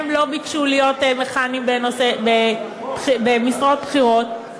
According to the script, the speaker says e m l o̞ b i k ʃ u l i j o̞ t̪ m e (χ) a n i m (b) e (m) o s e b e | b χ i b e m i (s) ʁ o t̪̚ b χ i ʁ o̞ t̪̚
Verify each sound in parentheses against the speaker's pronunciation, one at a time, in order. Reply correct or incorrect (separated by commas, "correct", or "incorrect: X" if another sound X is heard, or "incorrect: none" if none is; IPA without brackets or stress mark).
correct, correct, incorrect: n, correct